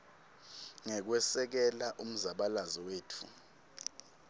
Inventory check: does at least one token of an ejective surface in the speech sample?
no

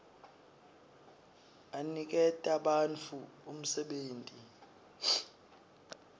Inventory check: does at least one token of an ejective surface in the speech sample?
yes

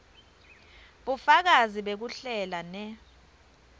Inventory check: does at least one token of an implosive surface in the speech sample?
yes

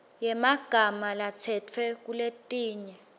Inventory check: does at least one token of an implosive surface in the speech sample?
no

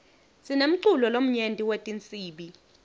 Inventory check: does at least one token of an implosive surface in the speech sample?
yes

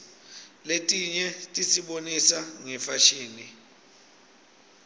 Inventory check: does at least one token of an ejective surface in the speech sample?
yes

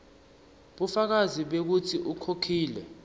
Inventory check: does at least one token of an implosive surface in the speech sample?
yes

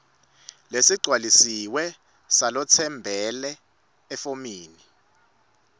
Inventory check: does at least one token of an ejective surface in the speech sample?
no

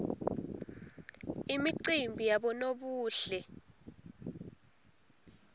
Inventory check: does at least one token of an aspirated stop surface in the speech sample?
no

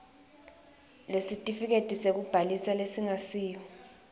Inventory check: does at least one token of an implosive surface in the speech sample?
no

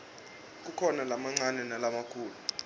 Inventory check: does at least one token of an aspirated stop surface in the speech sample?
yes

